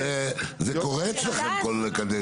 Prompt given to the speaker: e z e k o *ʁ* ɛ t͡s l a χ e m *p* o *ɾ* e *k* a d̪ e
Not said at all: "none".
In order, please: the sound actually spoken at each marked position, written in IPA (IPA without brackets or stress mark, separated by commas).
ʁ, k, l, k